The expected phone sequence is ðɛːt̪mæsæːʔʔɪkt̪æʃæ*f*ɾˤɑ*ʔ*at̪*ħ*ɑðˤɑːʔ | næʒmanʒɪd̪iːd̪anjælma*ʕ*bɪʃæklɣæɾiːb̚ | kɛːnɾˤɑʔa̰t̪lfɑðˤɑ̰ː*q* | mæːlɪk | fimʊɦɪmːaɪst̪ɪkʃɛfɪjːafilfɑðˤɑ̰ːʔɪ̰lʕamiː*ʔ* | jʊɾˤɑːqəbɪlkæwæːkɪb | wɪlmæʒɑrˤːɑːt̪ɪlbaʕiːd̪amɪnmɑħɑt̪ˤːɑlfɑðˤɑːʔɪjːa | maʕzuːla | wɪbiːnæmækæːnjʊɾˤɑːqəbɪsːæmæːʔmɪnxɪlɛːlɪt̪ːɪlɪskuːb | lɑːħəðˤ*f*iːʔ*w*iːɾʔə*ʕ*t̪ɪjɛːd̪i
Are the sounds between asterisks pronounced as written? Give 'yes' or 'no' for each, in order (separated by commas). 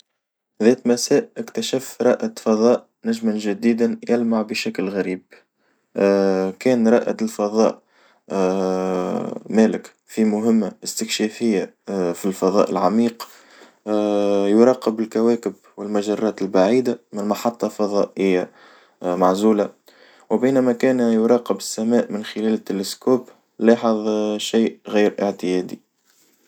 yes, yes, no, yes, no, no, no, no, yes